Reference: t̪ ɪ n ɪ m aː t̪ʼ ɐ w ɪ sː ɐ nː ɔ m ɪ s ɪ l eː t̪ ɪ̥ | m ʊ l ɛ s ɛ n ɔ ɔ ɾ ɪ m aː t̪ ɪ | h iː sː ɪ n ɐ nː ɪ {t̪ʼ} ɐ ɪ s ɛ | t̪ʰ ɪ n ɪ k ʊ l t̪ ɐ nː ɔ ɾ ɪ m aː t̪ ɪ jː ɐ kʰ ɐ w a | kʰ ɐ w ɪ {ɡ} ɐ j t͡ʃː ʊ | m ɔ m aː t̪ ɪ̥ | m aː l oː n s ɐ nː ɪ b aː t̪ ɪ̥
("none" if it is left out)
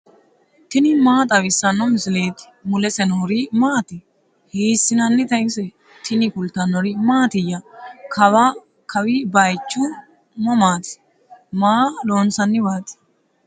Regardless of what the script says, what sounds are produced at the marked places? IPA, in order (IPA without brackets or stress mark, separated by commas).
t̪, b